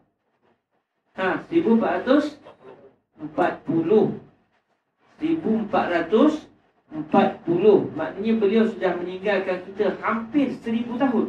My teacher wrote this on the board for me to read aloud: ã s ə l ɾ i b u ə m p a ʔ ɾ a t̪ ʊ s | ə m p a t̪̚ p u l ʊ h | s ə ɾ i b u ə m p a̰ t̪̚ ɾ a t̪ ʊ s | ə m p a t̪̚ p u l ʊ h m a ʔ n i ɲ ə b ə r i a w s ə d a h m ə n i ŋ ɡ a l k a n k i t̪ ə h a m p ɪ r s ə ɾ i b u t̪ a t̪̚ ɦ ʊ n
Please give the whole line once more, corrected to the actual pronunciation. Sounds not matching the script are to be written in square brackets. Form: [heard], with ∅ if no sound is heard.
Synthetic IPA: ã s ə [∅] ɾ i b u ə m p a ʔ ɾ a t̪ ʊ s | ə m p a t̪̚ p u l ʊ h | s ə ɾ i b u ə m p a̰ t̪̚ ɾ a t̪ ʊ s | ə m p a t̪̚ p u l ʊ h m a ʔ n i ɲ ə b ə [l] i a w s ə d a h m ə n i ŋ ɡ a l k a n k i t̪ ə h a m p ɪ r s ə ɾ i b u t̪ a [∅] ɦ ʊ n